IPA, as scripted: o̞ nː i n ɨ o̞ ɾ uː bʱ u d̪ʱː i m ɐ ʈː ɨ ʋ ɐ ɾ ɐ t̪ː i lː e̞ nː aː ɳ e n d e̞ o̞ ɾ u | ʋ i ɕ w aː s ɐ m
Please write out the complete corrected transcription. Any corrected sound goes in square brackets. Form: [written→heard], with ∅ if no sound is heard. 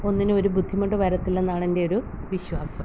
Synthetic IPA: o̞ nː i n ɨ o̞ ɾ [uː→u] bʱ u d̪ʱː i m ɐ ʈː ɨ ʋ ɐ ɾ ɐ t̪ː i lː e̞ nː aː ɳ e n d e̞ o̞ ɾ u | ʋ i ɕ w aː s ɐ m